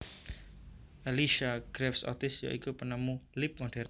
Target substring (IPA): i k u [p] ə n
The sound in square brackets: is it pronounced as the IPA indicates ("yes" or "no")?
yes